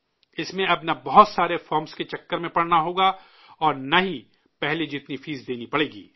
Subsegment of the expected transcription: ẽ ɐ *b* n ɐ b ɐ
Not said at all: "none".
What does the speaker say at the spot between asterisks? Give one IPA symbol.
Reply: b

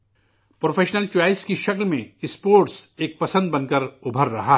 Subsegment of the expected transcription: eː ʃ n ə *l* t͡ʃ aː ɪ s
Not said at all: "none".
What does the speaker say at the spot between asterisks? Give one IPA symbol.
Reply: l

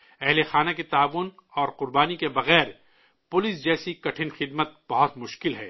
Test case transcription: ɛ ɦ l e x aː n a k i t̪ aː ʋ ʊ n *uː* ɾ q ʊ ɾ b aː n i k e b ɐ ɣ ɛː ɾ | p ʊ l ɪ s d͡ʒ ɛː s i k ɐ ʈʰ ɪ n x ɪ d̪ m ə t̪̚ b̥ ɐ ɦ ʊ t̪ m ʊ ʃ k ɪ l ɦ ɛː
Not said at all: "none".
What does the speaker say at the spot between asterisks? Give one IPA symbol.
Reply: ɔː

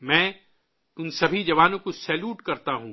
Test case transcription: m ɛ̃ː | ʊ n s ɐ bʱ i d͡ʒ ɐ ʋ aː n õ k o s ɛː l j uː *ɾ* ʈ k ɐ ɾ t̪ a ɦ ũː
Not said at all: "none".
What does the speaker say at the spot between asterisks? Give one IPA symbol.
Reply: none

